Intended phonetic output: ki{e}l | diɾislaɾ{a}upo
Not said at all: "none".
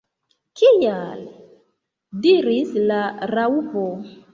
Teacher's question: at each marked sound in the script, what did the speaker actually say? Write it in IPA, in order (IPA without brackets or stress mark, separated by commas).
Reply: a, a